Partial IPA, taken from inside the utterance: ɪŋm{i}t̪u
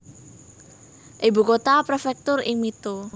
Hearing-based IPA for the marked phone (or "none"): i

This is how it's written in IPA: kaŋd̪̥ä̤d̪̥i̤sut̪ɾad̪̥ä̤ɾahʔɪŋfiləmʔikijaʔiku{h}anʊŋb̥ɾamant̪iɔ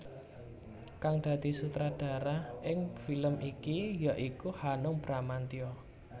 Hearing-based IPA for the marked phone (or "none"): h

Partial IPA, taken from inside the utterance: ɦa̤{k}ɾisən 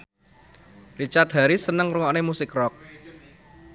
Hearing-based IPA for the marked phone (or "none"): none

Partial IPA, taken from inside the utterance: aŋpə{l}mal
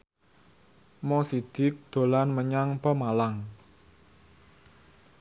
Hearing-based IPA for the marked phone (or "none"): none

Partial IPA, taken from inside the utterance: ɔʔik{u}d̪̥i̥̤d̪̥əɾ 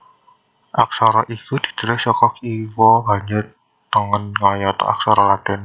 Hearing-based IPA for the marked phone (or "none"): u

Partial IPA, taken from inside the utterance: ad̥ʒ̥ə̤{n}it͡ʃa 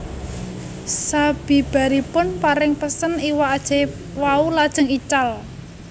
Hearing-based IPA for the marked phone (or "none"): ŋ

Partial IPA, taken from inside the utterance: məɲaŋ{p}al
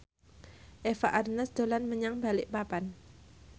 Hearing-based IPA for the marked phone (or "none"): b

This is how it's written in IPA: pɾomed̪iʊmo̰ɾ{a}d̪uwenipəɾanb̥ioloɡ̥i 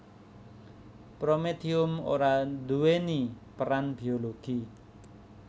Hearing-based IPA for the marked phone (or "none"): a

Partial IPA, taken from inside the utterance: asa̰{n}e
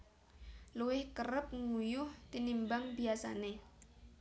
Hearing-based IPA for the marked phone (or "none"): n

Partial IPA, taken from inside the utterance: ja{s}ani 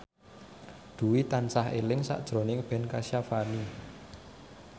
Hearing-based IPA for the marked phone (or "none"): f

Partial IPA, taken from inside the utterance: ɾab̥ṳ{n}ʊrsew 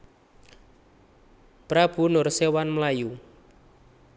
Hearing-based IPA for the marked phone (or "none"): n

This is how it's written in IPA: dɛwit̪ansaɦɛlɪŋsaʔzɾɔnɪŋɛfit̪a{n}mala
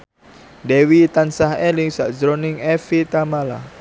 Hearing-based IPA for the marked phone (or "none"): none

